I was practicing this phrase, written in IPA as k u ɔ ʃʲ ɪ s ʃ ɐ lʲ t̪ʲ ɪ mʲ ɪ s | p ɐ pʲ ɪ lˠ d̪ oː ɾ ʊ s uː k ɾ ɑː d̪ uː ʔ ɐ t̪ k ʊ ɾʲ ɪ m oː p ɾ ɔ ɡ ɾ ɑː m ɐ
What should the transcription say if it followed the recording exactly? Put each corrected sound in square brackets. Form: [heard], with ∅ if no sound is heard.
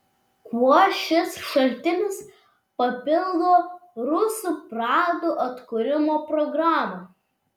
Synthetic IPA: k u ɔ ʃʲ ɪ s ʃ ɐ lʲ t̪ʲ ɪ [nʲ] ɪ s | p ɐ pʲ ɪ lˠ d̪ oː ɾ ʊ s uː [p] ɾ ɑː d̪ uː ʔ ɐ t̪ k ʊ ɾʲ ɪ m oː p ɾ ɔ ɡ ɾ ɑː m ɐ